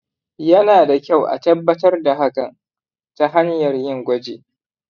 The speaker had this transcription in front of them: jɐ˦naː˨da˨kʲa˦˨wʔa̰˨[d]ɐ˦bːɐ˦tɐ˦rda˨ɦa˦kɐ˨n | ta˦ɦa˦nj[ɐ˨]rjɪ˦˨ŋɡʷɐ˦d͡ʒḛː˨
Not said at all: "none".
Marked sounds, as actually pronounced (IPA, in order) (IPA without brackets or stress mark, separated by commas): t, ɐ˨